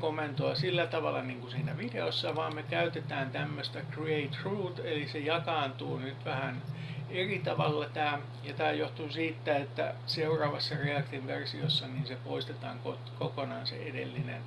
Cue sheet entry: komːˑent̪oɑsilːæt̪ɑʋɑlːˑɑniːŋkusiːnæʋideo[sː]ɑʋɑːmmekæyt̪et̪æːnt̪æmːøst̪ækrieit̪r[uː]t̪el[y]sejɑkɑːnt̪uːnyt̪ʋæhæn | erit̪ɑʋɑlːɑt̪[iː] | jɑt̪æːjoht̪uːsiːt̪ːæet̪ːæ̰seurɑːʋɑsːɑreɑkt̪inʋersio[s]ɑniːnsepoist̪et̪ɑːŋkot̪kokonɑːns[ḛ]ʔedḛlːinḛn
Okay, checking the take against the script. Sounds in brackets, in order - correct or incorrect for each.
correct, correct, incorrect, incorrect, incorrect, correct

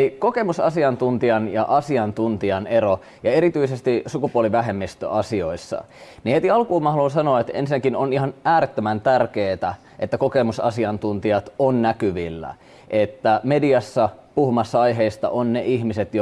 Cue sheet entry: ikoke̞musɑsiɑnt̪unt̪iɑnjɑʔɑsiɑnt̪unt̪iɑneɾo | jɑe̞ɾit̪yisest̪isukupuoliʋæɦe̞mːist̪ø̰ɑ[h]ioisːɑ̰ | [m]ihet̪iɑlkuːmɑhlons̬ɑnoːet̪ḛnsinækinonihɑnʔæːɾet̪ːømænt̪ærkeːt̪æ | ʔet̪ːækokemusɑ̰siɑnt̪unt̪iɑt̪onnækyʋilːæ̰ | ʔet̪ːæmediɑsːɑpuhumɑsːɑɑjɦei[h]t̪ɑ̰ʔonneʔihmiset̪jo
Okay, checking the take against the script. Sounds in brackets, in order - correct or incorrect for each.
incorrect, incorrect, incorrect

